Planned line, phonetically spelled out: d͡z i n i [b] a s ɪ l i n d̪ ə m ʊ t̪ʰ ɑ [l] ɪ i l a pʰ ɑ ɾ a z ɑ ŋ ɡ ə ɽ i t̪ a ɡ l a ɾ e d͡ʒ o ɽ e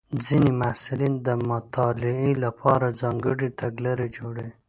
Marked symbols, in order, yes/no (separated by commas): no, yes